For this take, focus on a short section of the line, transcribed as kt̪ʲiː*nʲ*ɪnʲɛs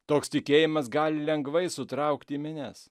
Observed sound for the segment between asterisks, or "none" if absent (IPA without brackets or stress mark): mʲ